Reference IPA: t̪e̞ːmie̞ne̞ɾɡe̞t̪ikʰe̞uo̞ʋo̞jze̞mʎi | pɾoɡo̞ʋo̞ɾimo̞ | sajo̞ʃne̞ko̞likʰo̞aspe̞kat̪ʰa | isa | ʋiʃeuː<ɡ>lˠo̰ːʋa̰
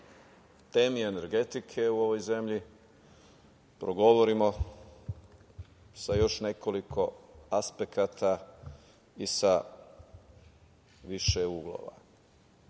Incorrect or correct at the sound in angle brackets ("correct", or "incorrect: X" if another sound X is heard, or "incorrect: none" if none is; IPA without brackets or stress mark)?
correct